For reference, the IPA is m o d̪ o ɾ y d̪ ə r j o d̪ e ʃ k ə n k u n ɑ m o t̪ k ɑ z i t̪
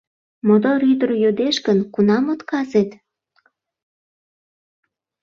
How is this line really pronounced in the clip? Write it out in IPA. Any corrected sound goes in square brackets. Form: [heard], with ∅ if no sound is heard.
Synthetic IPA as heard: m o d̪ o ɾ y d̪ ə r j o d̪ e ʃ k ə n k u n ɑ m o t̪ k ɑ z [e] t̪

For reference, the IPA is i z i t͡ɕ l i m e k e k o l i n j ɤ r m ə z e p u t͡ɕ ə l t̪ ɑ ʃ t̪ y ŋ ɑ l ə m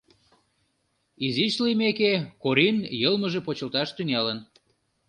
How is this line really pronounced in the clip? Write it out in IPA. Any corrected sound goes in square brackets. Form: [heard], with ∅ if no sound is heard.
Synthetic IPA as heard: i z i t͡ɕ l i m e k e k o [ɾ] i n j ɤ [l] m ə [ʒ] e p [o] t͡ɕ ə l t̪ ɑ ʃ t̪ y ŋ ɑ l ə [n]

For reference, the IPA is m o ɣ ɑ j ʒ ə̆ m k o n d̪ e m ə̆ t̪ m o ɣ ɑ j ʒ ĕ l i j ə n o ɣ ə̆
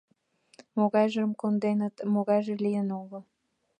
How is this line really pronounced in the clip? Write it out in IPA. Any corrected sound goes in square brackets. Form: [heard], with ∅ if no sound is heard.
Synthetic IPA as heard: m o ɣ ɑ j ʒ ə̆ m k o n d̪ e [n] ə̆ t̪ m o ɣ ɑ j ʒ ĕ l i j ə n o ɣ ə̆

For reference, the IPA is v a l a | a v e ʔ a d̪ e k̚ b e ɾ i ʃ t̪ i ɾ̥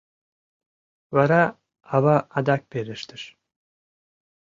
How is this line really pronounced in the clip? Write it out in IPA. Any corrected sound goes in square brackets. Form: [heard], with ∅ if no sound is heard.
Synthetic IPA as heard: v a [ɾ] a | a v [a] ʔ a d̪ [a] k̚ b e ɾ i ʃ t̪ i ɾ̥

